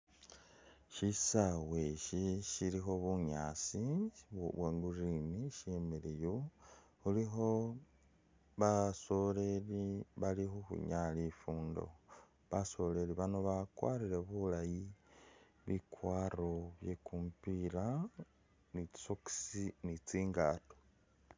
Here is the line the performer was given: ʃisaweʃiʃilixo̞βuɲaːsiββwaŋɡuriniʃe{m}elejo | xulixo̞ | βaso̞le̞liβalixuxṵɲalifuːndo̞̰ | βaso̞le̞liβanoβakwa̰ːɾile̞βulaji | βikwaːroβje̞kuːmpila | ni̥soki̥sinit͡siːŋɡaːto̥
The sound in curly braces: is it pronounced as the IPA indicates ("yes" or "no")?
yes